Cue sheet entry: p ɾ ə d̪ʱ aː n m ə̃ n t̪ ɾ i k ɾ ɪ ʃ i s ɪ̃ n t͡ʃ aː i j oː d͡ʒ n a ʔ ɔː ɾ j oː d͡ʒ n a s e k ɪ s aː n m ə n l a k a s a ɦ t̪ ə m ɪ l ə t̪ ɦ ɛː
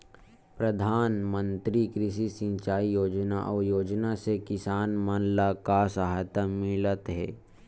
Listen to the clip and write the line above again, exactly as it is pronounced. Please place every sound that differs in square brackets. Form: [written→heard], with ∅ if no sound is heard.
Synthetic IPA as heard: p ɾ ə d̪ʱ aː n m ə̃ n t̪ ɾ i k ɾ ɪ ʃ i s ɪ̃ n t͡ʃ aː i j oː d͡ʒ n a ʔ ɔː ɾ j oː d͡ʒ n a s e k ɪ s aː n m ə n l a k a s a ɦ t̪ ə m ɪ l ə t̪ ɦ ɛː